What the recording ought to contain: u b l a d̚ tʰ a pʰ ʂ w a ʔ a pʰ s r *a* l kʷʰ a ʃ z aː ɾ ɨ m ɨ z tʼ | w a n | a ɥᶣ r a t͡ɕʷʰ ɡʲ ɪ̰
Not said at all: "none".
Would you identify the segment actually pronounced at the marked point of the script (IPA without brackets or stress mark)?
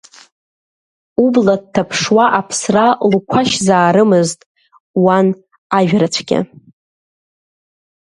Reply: a